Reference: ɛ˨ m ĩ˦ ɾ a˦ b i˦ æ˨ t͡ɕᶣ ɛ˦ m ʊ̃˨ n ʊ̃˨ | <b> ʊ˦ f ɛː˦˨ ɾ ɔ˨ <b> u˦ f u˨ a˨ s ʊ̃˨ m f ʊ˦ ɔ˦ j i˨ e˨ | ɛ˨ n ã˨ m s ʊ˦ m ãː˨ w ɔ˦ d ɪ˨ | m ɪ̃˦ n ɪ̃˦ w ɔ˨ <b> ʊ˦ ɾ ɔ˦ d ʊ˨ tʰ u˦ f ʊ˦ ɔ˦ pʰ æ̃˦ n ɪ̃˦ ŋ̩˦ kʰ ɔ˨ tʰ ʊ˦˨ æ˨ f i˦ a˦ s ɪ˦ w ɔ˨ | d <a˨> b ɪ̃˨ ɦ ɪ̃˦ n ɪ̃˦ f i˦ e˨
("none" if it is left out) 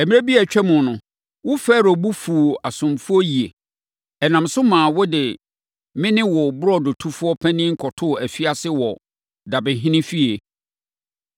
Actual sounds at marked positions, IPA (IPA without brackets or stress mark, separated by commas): w, b, b, a˨